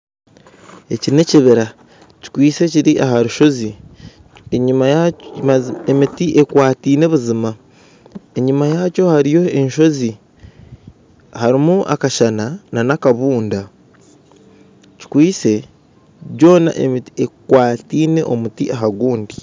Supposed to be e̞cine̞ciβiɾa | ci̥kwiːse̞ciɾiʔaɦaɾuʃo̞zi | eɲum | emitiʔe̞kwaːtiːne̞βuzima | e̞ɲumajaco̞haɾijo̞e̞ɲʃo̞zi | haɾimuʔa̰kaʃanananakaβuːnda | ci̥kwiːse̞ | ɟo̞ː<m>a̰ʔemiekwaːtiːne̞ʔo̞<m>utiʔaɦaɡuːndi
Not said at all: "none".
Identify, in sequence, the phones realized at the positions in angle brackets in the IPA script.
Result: n, m

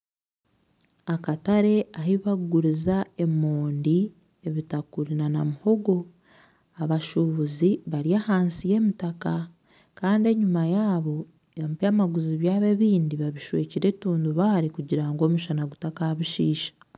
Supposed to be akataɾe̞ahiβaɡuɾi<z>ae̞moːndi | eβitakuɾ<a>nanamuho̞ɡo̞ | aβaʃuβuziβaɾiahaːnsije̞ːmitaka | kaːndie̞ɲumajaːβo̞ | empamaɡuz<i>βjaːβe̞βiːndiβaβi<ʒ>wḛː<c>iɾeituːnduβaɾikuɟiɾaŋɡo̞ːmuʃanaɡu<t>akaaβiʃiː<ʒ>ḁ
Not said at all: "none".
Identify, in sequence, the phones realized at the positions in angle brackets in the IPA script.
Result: z, i, i, ʃ, c, t, ʃ

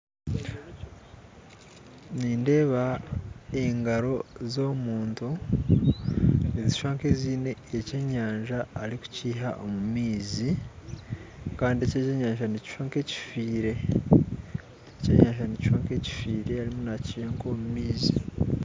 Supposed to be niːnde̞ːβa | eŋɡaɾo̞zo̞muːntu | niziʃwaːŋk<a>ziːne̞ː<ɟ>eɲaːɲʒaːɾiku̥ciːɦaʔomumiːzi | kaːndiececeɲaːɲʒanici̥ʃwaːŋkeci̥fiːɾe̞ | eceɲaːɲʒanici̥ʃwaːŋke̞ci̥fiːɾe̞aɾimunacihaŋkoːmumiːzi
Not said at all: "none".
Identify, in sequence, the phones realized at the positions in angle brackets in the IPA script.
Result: e, c

